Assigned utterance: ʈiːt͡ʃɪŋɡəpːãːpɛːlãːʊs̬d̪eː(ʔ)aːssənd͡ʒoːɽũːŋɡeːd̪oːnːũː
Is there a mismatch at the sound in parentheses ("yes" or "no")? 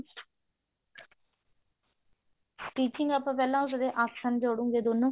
no